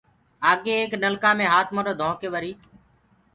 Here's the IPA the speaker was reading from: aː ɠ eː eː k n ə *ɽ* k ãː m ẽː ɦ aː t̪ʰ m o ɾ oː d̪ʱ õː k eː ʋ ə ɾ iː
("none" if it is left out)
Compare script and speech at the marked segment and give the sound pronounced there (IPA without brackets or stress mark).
l